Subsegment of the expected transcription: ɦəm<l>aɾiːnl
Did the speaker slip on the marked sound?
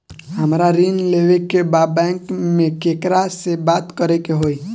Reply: yes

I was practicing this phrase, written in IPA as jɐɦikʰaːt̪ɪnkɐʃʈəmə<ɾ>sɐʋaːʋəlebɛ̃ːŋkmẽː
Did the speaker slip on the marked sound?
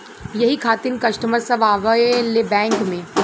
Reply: no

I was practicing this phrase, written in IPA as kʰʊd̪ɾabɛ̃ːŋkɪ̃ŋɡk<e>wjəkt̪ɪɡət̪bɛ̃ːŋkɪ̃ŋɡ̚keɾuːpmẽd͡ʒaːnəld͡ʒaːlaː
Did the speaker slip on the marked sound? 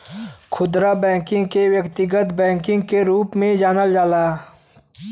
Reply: no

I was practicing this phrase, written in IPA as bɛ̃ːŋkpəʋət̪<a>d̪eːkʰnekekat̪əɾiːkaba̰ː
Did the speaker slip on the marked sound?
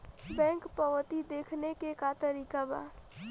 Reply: yes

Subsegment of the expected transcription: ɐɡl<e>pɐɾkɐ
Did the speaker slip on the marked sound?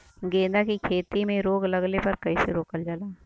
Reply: no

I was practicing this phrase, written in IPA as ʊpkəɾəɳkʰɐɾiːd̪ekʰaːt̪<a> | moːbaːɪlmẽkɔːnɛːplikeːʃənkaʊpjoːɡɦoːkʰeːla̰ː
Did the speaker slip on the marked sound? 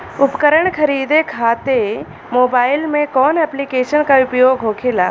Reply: yes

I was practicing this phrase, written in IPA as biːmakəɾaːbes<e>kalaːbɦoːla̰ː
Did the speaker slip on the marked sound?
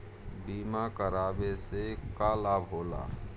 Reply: no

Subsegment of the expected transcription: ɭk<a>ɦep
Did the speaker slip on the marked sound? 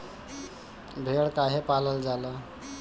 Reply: no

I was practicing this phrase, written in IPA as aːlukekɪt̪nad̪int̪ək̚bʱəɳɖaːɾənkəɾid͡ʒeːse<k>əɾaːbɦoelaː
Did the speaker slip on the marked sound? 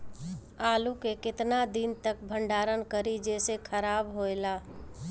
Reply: yes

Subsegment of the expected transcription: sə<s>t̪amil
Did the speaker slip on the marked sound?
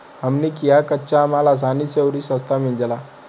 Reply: no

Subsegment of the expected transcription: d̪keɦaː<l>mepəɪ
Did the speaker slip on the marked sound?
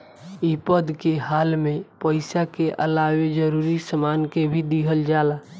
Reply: no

